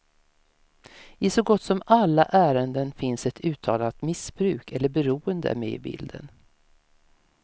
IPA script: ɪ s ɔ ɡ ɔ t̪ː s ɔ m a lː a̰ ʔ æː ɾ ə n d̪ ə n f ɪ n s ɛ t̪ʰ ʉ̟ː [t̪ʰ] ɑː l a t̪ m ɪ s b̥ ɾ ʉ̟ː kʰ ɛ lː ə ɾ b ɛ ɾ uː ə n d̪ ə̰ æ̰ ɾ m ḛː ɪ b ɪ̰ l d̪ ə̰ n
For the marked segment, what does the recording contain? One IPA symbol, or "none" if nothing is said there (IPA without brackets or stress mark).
t̪ʰ